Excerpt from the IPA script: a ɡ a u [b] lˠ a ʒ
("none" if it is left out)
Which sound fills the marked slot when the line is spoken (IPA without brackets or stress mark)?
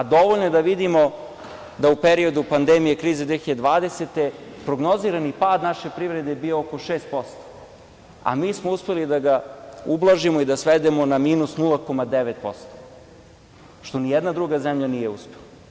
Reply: b